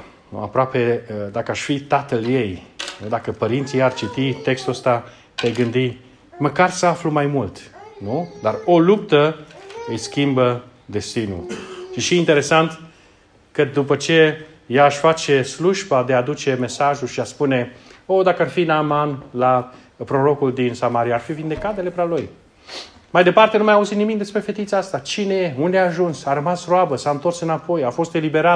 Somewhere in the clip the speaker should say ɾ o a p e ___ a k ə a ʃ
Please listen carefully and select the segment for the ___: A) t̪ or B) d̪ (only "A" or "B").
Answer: B